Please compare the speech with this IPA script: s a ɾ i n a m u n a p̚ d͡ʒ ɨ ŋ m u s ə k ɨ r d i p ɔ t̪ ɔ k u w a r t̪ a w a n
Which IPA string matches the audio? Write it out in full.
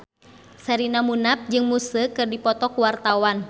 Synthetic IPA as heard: s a ɾ i n a m u n a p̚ d͡ʒ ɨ ŋ m u s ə k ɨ r d i p ɔ t̪ ɔ k u w a r t̪ a w a n